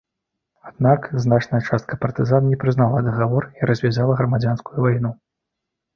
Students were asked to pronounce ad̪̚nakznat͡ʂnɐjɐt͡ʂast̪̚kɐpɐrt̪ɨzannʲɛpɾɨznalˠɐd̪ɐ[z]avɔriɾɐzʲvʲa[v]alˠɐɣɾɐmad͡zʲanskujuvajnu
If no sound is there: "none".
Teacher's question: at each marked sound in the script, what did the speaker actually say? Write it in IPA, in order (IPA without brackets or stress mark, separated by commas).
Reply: ɣ, z